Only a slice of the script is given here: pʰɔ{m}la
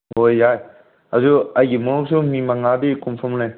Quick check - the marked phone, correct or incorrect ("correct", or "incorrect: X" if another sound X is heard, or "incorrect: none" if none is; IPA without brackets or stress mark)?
correct